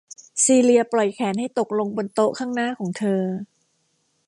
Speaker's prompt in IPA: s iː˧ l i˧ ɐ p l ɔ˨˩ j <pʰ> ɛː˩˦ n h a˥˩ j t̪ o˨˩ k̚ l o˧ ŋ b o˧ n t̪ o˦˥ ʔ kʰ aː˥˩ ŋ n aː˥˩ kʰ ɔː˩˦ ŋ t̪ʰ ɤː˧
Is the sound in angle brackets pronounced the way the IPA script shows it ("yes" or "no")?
no